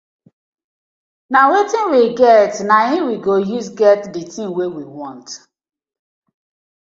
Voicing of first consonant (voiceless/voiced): voiced